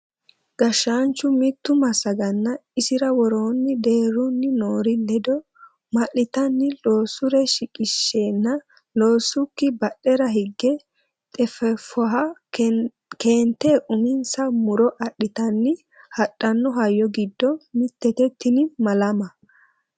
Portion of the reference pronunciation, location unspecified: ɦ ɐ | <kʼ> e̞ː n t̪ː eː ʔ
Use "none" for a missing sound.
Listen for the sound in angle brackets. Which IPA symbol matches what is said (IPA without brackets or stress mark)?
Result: k